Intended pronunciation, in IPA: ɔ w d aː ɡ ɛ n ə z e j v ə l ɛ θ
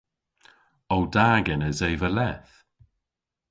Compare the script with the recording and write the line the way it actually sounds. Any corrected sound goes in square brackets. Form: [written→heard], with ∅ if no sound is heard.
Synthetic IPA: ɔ w d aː ɡ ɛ n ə z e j v ə l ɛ θ